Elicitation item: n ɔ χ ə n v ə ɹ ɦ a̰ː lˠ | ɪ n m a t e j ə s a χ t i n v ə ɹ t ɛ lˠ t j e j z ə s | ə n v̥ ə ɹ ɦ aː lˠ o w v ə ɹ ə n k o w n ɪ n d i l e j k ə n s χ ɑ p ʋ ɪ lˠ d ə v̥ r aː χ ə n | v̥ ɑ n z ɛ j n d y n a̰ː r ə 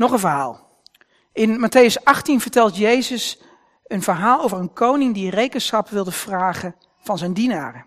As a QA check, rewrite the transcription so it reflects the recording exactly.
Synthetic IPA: n ɔ χ ə n v ə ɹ ɦ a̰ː lˠ | ɪ n m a t e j ə s ɑ χ t i n v ə ɹ t ɛ lˠ t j e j z ə s | ə n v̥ ə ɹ ɦ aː lˠ o w v ə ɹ ə n k o w n ɪ ŋ d i r e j k ə n s χ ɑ p ʋ ɪ lˠ d ə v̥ r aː χ ə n | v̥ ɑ n z ɛ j n d i n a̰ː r ə